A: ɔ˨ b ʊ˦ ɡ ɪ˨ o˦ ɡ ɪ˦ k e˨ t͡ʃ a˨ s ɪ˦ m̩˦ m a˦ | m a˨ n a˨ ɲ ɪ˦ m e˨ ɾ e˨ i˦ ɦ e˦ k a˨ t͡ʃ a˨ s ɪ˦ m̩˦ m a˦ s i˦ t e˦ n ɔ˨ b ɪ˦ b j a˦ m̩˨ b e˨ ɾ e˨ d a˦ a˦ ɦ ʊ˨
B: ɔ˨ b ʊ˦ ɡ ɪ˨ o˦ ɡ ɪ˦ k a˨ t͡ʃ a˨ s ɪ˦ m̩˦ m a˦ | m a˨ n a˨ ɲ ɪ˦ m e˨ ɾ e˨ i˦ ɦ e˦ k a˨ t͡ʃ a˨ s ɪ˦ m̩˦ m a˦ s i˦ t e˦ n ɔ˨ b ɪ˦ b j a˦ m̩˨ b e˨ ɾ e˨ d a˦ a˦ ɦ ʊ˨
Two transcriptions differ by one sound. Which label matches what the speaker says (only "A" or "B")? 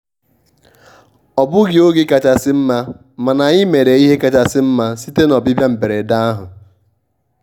B